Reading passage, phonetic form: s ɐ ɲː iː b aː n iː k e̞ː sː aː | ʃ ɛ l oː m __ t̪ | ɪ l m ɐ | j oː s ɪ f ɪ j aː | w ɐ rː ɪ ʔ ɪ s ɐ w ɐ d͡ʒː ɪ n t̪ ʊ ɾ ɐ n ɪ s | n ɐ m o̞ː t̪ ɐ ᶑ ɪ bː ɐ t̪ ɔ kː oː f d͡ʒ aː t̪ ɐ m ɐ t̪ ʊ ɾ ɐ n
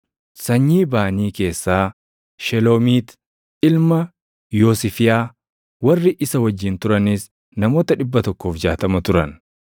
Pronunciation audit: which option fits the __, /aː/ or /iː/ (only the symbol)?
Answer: iː